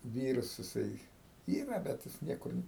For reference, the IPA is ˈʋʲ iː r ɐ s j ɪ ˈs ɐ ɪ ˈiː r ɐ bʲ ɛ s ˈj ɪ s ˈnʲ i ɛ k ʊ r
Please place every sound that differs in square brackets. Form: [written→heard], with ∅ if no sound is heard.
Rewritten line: ˈʋʲ iː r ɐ s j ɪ ˈs ɐ ɪ ˈiː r ɐ bʲ ɛ [s→t] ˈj ɪ s ˈnʲ i ɛ k ʊ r